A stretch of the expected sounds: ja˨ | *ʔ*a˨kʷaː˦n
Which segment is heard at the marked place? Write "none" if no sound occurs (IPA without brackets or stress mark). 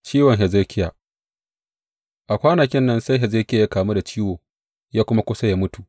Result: ʔ